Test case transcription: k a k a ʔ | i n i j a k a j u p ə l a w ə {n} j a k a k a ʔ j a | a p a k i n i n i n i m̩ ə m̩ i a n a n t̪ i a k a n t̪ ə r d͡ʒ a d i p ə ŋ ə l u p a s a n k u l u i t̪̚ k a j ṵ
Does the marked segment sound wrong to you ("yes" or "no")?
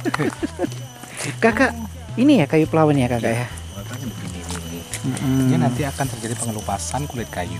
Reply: no